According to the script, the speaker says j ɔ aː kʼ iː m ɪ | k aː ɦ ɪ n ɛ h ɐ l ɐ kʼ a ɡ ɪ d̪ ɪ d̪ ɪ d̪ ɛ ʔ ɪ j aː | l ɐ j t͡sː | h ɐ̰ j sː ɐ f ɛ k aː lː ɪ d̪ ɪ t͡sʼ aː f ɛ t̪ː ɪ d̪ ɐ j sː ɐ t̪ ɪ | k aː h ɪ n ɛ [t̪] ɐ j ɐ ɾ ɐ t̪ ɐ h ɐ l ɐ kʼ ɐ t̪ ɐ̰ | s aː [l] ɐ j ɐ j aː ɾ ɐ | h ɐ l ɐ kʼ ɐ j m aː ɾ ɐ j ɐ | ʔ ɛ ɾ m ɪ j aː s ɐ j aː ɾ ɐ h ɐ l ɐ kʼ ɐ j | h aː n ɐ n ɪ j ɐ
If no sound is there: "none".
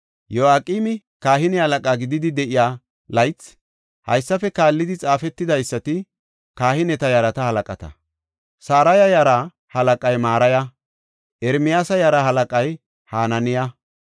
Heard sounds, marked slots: t̪, ɾ

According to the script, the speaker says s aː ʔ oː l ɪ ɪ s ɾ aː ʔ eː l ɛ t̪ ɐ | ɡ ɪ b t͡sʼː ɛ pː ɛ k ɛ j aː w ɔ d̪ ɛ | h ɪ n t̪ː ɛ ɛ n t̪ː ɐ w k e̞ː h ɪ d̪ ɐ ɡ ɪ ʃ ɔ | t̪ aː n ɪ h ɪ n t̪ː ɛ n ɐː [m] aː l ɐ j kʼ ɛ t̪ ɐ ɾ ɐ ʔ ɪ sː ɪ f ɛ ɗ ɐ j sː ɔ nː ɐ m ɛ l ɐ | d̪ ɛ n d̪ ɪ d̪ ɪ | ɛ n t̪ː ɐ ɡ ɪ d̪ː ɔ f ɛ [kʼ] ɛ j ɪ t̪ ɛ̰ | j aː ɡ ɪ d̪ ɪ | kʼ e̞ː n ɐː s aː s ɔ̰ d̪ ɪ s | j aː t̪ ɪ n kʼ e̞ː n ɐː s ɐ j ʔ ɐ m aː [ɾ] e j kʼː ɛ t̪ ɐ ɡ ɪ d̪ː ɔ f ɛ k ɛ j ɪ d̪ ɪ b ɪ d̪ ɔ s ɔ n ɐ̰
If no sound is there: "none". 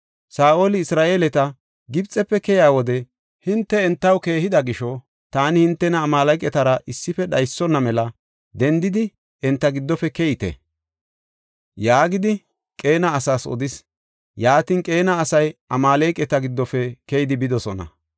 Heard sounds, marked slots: m, k, l

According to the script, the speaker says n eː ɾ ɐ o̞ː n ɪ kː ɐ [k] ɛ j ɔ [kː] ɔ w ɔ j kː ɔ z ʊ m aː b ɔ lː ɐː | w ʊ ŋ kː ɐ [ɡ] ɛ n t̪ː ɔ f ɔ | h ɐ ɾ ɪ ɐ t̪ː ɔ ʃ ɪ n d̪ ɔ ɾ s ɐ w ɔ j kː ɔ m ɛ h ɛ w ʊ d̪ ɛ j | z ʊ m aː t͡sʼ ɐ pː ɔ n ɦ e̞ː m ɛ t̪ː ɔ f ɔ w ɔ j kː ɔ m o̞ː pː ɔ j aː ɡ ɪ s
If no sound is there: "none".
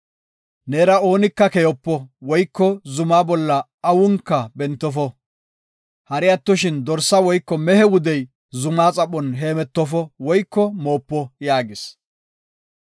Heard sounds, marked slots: k, pː, b

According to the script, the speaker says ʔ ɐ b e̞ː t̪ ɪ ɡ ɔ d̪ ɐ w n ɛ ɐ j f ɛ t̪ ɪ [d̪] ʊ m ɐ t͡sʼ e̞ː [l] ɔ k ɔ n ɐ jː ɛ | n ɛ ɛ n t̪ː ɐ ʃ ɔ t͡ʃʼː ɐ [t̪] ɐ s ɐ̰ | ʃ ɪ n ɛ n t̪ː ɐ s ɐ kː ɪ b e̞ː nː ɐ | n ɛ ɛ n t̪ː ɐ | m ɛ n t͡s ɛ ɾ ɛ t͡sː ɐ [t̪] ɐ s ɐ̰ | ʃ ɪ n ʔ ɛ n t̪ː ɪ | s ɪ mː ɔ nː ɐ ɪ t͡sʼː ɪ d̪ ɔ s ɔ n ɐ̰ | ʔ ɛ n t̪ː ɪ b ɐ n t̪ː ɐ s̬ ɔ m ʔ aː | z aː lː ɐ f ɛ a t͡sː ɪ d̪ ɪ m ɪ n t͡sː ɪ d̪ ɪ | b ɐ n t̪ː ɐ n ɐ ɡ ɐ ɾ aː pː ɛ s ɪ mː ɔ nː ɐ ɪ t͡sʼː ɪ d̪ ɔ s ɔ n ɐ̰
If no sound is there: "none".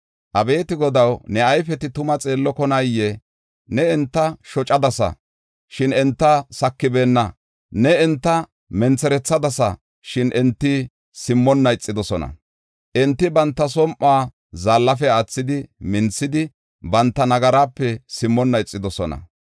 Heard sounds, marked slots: t̪, lː, d̪, d̪

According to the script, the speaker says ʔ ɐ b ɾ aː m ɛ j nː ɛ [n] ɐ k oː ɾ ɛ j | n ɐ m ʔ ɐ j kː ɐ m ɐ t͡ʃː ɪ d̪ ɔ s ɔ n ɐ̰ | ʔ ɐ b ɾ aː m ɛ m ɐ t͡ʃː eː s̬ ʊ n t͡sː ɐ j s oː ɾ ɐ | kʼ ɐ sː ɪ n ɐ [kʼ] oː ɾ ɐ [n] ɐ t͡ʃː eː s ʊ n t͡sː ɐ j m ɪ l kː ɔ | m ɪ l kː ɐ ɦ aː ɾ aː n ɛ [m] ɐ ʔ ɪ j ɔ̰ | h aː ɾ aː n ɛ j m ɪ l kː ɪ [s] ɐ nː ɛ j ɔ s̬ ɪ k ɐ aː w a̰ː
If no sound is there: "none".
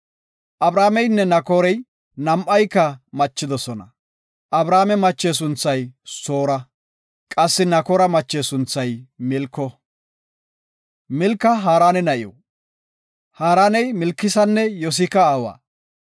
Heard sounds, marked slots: n, k, m, n, s

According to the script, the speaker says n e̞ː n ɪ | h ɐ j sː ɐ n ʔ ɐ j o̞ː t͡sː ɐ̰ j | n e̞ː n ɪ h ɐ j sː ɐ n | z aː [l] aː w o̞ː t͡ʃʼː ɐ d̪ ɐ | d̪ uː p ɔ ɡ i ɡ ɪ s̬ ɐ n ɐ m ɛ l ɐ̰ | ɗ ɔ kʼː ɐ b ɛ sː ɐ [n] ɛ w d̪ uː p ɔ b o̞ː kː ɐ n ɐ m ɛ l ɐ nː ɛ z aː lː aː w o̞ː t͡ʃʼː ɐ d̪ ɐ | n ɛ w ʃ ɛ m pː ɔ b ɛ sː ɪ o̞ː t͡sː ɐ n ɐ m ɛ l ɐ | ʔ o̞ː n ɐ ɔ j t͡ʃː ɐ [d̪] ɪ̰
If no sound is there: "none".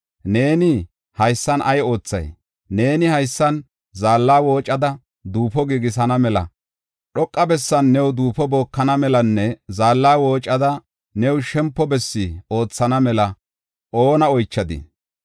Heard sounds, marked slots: lː, nː, d̪

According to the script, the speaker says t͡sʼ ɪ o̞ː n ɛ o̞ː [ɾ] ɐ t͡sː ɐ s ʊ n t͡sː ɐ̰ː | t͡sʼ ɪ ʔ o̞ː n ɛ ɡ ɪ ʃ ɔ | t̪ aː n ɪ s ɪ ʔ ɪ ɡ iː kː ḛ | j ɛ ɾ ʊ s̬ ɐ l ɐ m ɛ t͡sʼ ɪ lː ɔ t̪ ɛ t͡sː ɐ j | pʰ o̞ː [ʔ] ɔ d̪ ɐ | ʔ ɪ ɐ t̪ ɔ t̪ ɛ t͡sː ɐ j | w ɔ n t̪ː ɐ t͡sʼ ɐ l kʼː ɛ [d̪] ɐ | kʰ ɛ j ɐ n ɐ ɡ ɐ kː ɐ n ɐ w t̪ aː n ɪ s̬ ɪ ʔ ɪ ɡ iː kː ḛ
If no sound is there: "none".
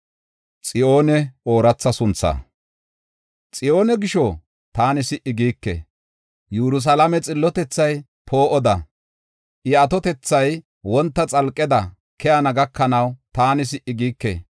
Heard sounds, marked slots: ɾ, ʔ, d̪

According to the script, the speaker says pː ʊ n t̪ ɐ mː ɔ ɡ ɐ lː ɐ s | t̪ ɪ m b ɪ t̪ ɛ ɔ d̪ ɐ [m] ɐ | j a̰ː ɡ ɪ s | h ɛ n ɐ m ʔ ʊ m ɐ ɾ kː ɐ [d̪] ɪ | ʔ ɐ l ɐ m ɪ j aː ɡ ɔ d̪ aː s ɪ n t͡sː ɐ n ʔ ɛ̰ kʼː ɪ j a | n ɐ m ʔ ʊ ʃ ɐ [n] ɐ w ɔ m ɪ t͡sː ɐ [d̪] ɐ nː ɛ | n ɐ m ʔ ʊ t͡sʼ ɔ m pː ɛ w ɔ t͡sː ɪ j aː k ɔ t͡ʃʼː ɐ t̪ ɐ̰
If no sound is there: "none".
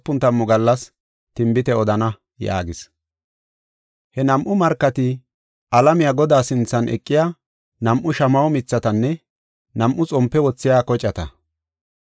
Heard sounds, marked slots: n, t̪, m, t̪

